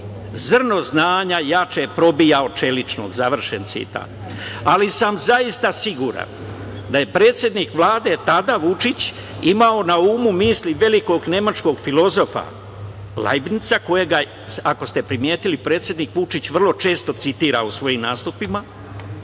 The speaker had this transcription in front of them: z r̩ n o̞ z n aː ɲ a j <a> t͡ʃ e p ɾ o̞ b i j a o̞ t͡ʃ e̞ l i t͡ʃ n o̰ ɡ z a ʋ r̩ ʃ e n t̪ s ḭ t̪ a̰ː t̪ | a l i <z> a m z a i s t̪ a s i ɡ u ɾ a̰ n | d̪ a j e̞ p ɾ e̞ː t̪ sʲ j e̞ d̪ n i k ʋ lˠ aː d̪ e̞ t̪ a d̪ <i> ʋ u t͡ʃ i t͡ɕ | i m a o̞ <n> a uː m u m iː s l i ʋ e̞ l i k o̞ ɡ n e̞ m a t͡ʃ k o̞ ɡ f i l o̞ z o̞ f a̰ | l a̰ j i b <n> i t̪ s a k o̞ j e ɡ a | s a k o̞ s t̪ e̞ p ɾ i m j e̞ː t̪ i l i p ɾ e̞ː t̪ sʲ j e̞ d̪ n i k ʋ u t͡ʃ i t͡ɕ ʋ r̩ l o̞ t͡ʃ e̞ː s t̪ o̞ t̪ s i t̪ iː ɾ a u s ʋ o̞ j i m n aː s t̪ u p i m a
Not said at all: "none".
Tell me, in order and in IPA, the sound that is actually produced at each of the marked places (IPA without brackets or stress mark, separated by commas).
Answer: a, s, a, n, n